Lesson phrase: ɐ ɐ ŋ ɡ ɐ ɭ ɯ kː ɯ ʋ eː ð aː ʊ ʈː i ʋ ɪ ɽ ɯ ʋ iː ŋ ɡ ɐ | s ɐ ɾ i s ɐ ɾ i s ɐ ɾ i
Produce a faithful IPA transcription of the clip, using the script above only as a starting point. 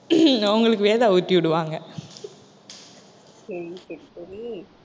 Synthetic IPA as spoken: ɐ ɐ ŋ ɡ ɐ ɭ ɯ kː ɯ ʋ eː ð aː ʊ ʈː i ʋ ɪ ɽ ɯ ʋ aː ŋ ɡ ɐ | s ɐ ɾ i s ɐ ɾ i s ɐ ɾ i